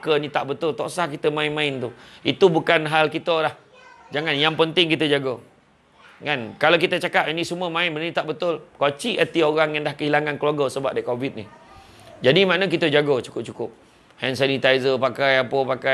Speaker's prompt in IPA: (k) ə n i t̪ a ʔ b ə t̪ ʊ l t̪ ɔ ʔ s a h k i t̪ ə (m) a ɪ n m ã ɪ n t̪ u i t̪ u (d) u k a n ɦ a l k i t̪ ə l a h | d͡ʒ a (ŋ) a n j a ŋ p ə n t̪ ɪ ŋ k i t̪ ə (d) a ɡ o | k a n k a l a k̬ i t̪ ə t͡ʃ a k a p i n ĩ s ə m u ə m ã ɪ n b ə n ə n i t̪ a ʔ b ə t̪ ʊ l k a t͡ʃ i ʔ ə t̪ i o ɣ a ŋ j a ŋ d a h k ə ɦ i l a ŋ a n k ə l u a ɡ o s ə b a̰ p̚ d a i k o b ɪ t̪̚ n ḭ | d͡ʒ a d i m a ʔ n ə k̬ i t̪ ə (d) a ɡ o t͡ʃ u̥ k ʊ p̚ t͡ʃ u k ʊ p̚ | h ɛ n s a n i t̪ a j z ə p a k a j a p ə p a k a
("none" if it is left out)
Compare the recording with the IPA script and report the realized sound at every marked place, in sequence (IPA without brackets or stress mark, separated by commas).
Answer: k, m, b, ŋ, d͡ʒ, d͡ʒ